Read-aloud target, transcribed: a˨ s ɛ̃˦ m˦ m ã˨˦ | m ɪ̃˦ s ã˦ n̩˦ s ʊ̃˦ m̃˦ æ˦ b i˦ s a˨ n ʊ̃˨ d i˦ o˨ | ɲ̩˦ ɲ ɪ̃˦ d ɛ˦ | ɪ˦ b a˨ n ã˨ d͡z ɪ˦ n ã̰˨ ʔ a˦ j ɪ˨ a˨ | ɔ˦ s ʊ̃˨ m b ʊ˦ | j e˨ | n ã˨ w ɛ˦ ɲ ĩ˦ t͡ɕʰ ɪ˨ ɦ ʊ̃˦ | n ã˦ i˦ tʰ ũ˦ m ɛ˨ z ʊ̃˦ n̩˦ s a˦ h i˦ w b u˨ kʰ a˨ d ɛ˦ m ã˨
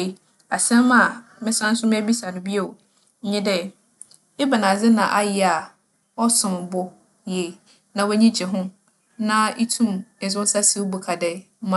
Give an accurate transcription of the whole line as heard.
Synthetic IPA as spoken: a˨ s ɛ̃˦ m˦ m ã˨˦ | m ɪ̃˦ s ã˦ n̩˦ s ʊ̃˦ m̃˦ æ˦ b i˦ s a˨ n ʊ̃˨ b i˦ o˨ | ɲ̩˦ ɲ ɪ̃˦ d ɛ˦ | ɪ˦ b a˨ n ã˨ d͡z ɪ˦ n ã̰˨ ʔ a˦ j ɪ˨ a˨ | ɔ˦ s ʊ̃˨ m b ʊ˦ | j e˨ | n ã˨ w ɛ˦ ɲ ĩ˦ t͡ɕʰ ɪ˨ ɦ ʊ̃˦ | n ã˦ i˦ tʰ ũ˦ m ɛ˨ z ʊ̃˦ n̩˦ s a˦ s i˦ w b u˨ kʰ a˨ d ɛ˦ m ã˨

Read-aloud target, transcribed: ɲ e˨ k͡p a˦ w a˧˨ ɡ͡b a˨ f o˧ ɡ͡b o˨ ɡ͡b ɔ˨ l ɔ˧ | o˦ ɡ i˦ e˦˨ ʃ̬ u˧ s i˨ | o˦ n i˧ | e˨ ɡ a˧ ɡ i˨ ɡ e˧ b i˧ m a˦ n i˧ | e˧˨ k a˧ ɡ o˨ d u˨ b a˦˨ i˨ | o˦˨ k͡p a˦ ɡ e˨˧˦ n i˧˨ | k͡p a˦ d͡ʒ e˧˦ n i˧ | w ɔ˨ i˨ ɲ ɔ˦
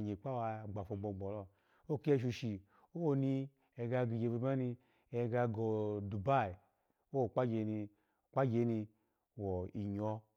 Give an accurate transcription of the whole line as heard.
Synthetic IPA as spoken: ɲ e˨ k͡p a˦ w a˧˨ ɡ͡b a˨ f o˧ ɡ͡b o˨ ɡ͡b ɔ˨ l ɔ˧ | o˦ k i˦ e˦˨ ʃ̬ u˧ ʃ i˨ | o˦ n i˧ | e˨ ɡ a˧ ɡ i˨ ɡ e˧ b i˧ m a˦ n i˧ | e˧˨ ɡ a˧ ɡ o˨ d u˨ b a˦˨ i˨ | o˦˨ k͡p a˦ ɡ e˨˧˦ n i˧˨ | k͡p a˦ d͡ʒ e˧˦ n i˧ | w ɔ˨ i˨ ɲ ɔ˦

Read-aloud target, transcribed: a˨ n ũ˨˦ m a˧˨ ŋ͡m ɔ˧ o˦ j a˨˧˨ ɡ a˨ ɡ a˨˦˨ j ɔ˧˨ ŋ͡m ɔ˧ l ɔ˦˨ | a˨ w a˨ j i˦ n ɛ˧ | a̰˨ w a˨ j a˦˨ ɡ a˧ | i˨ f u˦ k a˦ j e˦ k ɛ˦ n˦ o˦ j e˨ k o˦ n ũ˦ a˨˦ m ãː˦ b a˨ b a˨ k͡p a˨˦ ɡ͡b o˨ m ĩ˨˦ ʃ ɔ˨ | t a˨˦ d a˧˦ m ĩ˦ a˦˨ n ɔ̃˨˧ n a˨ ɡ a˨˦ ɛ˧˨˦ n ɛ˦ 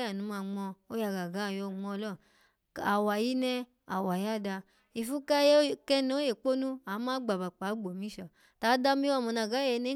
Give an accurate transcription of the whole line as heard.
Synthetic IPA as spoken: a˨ n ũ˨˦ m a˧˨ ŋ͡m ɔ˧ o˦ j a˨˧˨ ɡ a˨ ɡ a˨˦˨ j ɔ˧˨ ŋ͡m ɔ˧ l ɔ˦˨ | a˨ w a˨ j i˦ n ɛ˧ | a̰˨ w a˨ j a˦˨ d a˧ | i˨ f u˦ k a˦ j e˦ k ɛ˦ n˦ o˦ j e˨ k͡p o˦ n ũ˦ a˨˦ m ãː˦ ɡ͡b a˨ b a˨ k͡p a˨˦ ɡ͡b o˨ m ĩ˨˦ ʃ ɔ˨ | t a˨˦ d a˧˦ m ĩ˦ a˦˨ m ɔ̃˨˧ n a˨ ɡ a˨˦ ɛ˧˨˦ n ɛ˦

